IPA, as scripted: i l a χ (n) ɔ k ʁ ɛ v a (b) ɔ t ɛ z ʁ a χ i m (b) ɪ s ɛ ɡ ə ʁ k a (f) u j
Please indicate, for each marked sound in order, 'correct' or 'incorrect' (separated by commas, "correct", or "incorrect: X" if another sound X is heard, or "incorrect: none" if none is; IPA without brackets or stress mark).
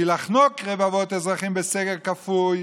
correct, incorrect: v, correct, correct